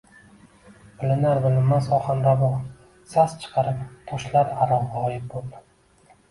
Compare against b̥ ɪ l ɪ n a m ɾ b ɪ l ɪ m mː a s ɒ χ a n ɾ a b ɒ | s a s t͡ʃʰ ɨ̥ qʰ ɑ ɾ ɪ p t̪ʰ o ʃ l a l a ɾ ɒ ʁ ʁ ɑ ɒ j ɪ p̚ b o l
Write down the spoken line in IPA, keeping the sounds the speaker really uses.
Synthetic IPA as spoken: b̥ ɪ l ɪ n a ɾ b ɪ l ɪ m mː a s ɒ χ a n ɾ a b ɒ | s a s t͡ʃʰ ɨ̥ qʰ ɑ ɾ ɪ p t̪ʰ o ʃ l a ɾ a ɾ ɒ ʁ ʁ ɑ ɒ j ɪ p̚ b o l